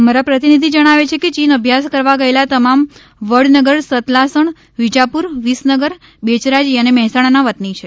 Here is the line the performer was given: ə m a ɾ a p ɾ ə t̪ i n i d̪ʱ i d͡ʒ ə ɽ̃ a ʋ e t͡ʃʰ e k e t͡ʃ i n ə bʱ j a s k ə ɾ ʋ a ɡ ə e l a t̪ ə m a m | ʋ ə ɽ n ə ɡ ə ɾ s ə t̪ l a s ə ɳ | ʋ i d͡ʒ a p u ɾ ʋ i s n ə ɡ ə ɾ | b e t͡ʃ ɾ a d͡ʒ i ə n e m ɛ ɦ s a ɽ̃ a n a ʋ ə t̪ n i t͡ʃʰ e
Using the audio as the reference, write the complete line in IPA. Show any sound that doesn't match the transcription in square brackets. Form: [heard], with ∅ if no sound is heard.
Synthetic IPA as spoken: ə m a ɾ a p ɾ ə t̪ i n i d̪ʱ i d͡ʒ ə ɽ̃ a ʋ e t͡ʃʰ e k e t͡ʃ i n ə bʱ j a s k ə ɾ ʋ a ɡ ə e l a t̪ ə m a m | ʋ ə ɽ n ə ɡ ə ɾ s ə t̪ l a s ə ɳ | ʋ i d͡ʒ a p u ɾ ʋ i s n ə ɡ ə ɾ | b e t͡ʃ ɾ a d͡ʒ i ə n e m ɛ ɦ s a ɽ̃ a n a ʋ ə t̪ n i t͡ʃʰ e